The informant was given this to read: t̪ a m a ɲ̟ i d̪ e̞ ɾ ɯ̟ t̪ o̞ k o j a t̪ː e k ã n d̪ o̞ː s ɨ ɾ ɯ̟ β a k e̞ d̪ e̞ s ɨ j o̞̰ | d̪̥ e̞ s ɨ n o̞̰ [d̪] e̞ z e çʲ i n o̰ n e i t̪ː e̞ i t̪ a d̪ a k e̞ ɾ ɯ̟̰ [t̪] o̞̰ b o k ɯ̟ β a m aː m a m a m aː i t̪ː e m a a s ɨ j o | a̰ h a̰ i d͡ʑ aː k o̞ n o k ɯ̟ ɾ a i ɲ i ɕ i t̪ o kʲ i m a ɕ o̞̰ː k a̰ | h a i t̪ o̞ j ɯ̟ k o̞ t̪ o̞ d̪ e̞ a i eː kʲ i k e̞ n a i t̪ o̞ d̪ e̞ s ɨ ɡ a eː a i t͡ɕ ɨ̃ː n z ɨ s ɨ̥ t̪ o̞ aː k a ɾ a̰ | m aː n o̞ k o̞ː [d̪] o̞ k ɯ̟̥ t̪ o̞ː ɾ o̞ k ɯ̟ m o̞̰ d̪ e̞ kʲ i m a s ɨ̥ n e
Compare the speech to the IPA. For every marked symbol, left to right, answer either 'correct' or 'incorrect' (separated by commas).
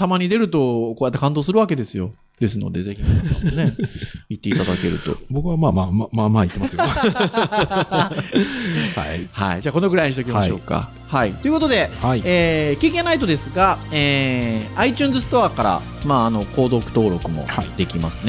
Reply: correct, correct, correct